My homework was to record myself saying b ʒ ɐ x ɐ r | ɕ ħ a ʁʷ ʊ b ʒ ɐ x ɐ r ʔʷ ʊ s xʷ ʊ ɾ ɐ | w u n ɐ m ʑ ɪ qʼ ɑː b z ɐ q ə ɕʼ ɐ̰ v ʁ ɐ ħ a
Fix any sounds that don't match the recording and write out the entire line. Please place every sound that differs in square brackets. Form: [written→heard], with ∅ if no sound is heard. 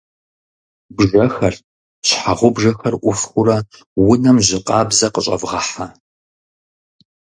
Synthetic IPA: b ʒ ɐ x ɐ r | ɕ ħ a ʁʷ ʊ b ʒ ɐ x ɐ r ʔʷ ʊ [s→f] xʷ ʊ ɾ ɐ | w [u→ʊ] n ɐ m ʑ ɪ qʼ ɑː b z ɐ q ə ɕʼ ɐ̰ v ʁ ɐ ħ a